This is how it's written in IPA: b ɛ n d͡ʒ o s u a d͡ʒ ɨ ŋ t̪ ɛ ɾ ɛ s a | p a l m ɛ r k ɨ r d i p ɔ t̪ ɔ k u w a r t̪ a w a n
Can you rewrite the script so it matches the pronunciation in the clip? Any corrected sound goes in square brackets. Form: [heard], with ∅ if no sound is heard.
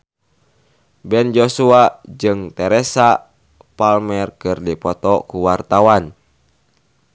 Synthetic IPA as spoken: b ɛ n d͡ʒ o s u a d͡ʒ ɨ ŋ t̪ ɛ ɾ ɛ s a | p a l m ɛ r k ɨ r d i p ɔ t̪ ɔ k u w a r t̪ a w a n